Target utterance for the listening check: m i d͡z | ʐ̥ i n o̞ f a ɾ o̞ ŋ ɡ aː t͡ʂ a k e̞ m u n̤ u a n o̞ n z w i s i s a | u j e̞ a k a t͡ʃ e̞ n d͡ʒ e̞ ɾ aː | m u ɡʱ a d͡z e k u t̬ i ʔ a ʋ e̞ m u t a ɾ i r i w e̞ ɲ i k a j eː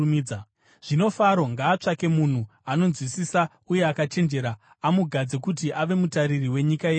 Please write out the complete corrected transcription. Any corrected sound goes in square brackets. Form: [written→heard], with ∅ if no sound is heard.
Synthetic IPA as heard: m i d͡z | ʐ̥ i n o̞ f a ɾ o̞ ŋ ɡ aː t͡ʂ a k e̞ m u n̤ u a n o̞ n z w i s i s a | u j e̞ a k a t͡ʃ e̞ n d͡ʒ e̞ ɾ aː | m u ɡʱ a d͡z e k u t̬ i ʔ a ʋ e̞ m u t a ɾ i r i w e̞ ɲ i k a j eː